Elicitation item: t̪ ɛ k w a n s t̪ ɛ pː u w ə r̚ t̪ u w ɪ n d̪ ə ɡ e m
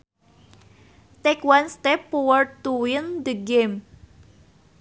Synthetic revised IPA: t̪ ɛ k w a n s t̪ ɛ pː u w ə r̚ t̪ u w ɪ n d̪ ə ɡ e m